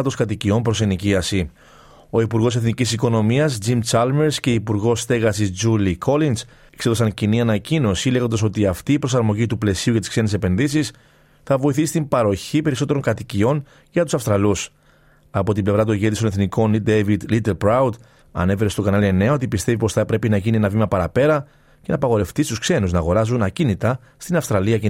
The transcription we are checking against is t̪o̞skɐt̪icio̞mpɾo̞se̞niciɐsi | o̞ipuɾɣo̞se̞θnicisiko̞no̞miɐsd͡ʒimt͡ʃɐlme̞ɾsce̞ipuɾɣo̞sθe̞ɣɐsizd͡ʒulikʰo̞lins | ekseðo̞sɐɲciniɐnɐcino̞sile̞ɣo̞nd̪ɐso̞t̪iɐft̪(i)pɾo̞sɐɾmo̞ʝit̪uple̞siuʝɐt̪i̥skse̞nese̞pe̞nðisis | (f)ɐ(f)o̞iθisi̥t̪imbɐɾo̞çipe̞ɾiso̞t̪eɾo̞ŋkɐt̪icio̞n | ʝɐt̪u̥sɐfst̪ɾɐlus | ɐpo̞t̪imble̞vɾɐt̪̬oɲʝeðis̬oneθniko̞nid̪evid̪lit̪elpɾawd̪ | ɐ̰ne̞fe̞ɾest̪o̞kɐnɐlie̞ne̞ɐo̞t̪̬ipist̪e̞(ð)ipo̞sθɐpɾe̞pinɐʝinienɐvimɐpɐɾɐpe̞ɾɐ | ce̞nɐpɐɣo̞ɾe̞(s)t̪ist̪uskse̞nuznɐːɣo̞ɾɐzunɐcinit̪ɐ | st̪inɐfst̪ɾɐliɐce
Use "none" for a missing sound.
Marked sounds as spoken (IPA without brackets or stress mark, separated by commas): iː, θ, v, v, f